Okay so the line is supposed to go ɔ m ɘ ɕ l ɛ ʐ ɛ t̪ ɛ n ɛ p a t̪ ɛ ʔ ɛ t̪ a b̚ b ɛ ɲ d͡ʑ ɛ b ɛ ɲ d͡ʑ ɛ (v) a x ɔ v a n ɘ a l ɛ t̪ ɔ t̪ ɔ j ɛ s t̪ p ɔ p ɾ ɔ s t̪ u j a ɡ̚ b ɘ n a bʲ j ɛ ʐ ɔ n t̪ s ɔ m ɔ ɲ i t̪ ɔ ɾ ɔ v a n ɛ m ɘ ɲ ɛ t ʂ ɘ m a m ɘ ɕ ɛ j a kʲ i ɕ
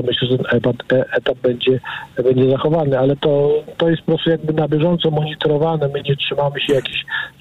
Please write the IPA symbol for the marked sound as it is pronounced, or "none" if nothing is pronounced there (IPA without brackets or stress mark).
z